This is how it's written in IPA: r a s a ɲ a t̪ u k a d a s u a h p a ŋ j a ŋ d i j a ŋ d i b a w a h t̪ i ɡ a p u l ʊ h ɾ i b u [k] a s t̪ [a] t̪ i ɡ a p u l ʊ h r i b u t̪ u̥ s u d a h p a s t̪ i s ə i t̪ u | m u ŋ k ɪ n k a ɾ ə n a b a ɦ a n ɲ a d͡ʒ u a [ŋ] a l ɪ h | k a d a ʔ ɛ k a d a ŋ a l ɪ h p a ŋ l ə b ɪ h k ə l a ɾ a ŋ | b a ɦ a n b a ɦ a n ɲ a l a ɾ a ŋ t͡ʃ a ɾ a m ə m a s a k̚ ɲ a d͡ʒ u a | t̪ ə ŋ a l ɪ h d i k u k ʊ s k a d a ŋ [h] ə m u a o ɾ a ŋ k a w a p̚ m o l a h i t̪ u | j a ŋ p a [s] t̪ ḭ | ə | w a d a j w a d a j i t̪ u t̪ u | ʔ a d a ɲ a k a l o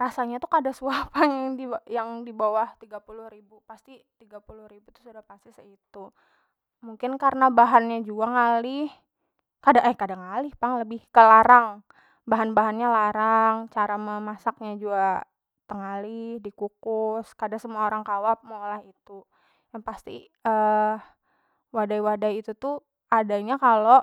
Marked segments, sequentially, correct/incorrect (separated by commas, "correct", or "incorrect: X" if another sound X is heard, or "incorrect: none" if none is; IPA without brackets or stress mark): incorrect: p, incorrect: i, correct, incorrect: s, correct